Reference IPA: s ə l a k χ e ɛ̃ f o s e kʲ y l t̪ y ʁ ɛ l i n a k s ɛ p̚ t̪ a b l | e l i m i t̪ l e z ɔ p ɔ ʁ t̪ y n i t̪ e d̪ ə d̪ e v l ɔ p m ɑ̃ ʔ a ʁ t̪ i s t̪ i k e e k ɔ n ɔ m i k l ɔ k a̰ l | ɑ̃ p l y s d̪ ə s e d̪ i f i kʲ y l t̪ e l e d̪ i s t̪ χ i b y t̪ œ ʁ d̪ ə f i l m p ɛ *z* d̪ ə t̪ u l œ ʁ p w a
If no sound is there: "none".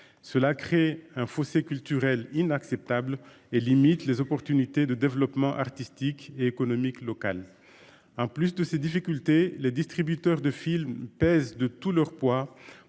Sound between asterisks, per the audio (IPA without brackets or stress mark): z